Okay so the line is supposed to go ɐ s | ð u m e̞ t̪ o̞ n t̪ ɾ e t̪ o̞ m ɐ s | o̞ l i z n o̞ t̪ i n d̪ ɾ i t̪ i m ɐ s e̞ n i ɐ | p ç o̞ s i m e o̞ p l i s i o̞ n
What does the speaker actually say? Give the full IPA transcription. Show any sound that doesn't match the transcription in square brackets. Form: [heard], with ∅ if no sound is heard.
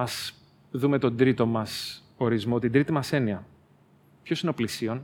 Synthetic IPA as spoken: ɐ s | ð u m e̞ t̪ o̞ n [d̪] ɾ [i] t̪ o̞ m ɐ s | o̞ [ɾ] i z [m] o̞ t̪ i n d̪ ɾ i t̪ i m ɐ s e̞ n i ɐ | p ç o̞ s i [n] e o̞ p l i s i o̞ n